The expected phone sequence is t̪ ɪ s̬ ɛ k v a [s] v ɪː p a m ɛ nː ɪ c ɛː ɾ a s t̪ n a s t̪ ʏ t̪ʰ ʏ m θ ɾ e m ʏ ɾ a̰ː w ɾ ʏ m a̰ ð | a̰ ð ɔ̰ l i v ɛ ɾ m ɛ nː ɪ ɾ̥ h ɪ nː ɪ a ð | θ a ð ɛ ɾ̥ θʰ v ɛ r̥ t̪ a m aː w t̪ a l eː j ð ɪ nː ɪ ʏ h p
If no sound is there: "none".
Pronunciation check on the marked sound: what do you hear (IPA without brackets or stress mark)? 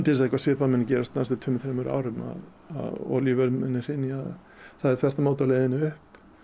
s